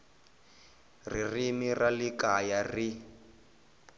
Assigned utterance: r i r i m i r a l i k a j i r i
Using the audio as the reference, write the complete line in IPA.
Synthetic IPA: r i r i m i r a l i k a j a r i